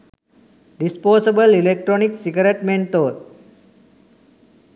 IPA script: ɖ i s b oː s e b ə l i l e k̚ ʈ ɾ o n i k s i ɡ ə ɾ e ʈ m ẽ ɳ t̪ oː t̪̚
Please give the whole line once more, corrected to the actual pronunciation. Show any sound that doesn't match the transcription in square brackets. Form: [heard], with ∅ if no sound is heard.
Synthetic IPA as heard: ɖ i s [p] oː s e b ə l i l e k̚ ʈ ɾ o n i k s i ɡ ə ɾ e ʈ m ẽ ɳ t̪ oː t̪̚